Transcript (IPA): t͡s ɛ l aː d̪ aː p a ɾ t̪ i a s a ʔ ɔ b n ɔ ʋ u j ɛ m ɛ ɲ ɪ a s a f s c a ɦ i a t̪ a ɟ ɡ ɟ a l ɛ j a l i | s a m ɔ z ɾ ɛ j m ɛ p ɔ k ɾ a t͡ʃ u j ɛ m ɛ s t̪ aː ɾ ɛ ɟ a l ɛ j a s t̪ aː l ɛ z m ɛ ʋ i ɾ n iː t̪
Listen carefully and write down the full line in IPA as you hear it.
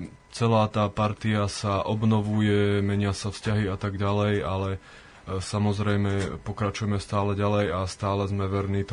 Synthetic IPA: t͡s ɛ l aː t̪ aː p a ɾ t̪ i a s a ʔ ɔ b n ɔ ʋ u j ɛ m ɛ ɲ ɪ a s a f s c a ɦ i a t̪ a ɡ ɟ a l ɛ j a l ɛ | s a m ɔ z ɾ ɛ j m ɛ p ɔ k ɾ a t͡ʃ u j ɛ m ɛ s t̪ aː l ɛ ɟ a l ɛ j a s t̪ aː l ɛ z m ɛ ʋ ɛ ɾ n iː t̪